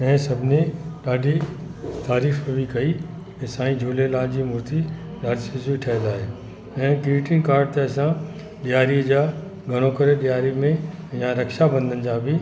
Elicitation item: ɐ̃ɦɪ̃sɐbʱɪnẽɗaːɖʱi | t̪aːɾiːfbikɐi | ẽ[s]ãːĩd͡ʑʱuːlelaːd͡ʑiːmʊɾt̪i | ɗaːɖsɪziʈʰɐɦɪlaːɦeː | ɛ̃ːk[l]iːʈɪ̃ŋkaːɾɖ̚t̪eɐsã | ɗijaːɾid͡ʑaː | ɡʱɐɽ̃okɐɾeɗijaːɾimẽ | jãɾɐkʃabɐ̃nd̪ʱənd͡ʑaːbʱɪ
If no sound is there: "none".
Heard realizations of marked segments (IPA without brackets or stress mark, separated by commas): s, ɾ